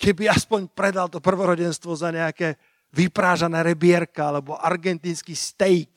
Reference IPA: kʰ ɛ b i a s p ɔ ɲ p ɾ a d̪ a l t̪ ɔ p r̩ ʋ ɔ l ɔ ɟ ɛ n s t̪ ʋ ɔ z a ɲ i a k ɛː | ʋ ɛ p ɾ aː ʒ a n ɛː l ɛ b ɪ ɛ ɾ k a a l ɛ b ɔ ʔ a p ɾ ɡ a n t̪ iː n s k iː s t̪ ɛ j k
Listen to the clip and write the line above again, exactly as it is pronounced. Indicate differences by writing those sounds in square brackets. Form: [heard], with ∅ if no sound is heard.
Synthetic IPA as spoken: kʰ ɛ b i a s p ɔ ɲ p ɾ [ɛ] d̪ a l t̪ ɔ p r̩ ʋ ɔ [ɾ] ɔ ɟ ɛ n s t̪ ʋ ɔ z a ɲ [ɛ] a k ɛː | ʋ [i] p ɾ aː ʒ a n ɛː [ɾ] ɛ b ɪ ɛ ɾ k a a l ɛ b ɔ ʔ a [∅] ɾ ɡ [ɛ] n t̪ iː n s k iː s t̪ ɛ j k